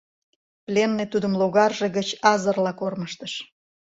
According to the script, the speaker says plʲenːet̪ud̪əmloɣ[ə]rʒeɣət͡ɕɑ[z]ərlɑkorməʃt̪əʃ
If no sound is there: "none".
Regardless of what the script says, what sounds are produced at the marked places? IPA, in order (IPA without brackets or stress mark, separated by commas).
ɑ, z